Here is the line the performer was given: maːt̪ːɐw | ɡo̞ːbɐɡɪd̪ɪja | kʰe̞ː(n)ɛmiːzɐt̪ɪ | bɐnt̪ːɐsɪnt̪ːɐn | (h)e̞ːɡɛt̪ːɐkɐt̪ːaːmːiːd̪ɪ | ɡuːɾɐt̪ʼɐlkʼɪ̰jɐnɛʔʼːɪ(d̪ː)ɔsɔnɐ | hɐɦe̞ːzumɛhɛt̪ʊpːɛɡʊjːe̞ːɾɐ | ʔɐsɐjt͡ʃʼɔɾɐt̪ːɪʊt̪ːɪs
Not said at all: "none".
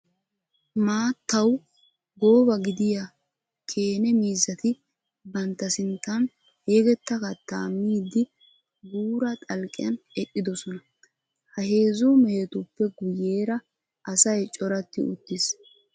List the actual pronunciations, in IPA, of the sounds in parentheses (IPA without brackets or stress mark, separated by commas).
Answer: n, h, d̪